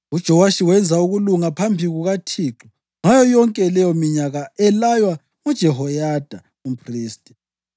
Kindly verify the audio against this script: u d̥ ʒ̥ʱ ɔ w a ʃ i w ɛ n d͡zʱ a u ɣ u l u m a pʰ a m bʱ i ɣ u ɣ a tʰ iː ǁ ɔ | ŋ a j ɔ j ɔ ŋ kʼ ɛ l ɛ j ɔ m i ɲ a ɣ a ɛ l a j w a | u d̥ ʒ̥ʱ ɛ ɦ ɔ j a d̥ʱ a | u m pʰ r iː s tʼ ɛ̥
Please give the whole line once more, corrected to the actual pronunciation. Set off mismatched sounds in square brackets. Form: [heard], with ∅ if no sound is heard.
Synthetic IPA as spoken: u d̥ ʒ̥ʱ ɔ w a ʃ i w ɛ n d͡zʱ a u ɣ u l u [ŋ] a pʰ a m bʱ i ɣ u ɣ a tʰ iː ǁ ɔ | ŋ a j ɔ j ɔ ŋ kʼ ɛ l ɛ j ɔ m i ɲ a ɣ a ɛ l a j w a | u d̥ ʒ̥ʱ ɛ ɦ ɔ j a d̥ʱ a | u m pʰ r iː s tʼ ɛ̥